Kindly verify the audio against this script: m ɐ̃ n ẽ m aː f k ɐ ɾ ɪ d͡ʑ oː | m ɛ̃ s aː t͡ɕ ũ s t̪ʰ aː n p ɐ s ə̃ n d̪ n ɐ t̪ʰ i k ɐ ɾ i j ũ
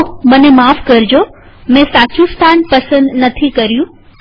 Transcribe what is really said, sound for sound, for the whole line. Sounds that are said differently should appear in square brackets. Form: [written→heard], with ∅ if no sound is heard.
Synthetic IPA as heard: m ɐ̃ n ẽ m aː f k ɐ ɾ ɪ d͡ʑ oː | m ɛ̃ s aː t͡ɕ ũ s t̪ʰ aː n p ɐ s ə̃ n d̪ n ɐ t̪ʰ i k ɐ ɾ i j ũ